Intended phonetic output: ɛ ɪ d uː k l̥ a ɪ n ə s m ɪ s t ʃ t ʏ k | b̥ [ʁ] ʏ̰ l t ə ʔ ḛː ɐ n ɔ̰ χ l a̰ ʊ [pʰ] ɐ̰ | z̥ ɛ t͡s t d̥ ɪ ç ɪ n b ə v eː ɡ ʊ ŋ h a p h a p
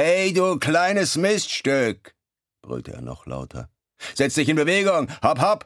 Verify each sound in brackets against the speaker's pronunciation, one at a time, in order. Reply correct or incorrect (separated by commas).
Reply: correct, incorrect